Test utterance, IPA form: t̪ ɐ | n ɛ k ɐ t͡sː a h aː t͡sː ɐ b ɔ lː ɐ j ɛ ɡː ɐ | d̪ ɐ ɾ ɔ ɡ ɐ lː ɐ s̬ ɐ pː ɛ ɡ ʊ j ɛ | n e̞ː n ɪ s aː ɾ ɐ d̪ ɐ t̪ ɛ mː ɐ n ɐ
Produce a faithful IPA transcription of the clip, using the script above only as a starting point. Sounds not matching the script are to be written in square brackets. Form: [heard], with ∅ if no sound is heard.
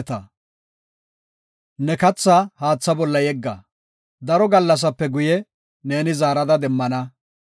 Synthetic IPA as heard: t̪ ɐ | n ɛ k ɐ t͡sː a h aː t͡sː ɐ b ɔ lː ɐ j ɛ ɡː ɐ | d̪ ɐ ɾ ɔ ɡ ɐ lː ɐ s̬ ɐ pː ɛ ɡ ʊ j ɛ | n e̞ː n ɪ [z] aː ɾ ɐ d̪ ɐ [d̪] ɛ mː ɐ n ɐ